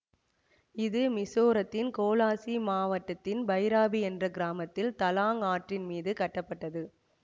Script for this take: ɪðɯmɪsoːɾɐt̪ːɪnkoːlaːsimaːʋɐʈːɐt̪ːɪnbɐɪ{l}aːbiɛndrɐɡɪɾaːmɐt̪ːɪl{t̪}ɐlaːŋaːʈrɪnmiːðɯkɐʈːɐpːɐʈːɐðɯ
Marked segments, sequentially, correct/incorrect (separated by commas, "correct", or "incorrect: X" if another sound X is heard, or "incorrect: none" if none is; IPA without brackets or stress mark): incorrect: ɾ, correct